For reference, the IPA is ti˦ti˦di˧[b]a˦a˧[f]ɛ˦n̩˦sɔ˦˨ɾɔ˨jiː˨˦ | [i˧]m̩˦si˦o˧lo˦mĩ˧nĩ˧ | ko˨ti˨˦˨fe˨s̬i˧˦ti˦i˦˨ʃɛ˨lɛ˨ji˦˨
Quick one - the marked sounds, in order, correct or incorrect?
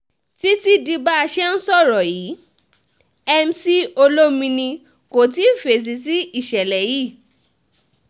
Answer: correct, incorrect: ʃ, incorrect: ɛ˧

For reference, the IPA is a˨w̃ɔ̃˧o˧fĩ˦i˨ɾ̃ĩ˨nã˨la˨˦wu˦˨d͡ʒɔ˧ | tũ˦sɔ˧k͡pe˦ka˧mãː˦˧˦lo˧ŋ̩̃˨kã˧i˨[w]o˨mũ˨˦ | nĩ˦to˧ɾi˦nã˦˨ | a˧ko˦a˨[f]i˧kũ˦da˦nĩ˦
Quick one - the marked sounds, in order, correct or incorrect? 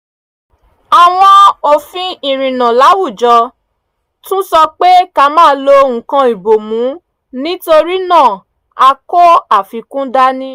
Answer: incorrect: b, correct

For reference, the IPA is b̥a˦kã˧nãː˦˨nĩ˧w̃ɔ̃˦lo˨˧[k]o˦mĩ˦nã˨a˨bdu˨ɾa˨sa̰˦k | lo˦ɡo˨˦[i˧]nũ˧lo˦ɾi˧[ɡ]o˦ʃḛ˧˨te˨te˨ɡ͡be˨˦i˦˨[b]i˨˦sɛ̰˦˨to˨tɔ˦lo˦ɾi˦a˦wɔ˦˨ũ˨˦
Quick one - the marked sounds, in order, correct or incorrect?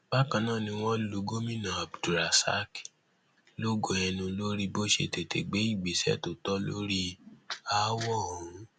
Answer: incorrect: ɡ, incorrect: ɛ˧, incorrect: b, incorrect: ɡ͡b

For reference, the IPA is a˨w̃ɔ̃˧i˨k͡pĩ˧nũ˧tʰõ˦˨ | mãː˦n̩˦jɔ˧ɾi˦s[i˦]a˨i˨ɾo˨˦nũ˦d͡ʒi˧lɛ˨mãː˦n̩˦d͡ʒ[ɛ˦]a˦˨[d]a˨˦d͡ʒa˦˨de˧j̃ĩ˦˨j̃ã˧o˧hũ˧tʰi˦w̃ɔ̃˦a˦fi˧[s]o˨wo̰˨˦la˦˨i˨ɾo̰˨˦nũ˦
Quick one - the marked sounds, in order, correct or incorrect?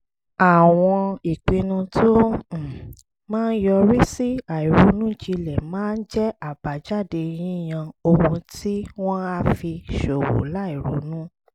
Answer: correct, correct, incorrect: b, incorrect: ʃ

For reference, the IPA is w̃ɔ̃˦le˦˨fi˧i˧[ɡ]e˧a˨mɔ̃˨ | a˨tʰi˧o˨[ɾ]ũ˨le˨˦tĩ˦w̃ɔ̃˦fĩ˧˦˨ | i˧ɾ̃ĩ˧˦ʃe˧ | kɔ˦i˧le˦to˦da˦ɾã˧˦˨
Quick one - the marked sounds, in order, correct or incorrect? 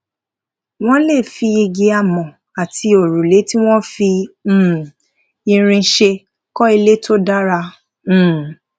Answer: correct, correct

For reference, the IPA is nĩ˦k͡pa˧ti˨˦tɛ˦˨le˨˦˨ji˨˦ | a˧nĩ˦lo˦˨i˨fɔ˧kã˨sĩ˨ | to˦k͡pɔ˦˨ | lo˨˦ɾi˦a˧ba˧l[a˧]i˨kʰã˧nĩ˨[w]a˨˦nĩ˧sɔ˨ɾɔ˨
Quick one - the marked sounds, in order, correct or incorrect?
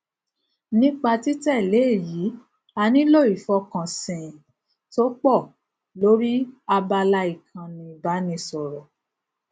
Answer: correct, incorrect: b

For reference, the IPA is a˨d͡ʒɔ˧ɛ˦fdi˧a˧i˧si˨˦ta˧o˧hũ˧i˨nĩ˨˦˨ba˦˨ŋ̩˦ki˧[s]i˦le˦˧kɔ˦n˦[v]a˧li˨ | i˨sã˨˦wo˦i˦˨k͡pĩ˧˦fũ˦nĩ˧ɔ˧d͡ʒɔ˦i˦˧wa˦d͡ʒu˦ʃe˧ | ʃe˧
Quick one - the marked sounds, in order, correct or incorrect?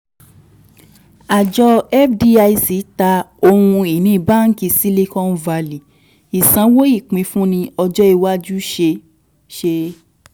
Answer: correct, correct

